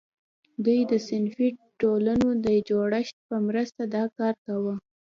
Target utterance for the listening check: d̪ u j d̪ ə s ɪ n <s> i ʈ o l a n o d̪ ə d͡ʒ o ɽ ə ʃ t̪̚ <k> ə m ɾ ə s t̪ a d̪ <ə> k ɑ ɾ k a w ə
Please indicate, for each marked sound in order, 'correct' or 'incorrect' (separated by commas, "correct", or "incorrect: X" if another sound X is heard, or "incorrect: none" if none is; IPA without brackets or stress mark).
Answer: incorrect: f, incorrect: p, incorrect: ɑ